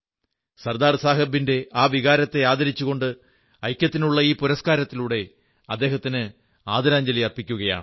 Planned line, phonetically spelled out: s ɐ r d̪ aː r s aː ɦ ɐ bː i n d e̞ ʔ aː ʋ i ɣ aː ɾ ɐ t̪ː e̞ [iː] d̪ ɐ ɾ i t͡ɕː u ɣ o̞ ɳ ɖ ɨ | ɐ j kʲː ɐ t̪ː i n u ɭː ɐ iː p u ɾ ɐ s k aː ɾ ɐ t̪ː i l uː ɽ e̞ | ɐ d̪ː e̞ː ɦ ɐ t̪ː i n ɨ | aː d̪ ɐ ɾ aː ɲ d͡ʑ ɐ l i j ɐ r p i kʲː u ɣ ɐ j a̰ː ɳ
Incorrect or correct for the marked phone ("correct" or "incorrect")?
incorrect